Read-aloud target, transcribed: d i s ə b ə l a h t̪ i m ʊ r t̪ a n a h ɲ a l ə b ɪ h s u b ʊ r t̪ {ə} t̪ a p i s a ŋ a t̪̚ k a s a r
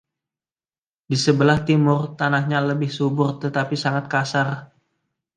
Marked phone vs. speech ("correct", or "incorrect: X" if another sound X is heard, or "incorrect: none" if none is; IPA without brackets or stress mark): correct